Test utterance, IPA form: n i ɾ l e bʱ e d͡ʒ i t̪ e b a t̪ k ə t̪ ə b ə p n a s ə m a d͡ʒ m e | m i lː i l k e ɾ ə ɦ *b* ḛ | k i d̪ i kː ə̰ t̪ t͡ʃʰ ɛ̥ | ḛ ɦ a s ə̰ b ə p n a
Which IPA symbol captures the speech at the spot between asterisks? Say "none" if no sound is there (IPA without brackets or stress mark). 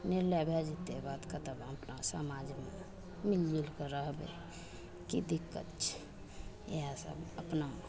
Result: b